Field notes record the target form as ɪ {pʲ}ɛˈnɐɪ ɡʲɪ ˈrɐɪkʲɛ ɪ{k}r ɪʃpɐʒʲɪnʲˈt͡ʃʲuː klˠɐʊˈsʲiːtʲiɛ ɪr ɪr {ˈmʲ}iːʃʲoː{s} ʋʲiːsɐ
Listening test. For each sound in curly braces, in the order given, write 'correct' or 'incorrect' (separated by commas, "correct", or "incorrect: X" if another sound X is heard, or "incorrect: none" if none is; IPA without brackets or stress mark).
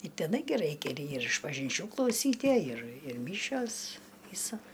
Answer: incorrect: tʲ, incorrect: none, correct, correct